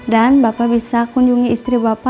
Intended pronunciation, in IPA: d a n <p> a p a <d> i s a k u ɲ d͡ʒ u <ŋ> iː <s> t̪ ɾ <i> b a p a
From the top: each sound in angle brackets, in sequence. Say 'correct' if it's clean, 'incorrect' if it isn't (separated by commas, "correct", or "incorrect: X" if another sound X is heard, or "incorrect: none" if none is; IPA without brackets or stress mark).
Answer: incorrect: b, incorrect: b, correct, correct, correct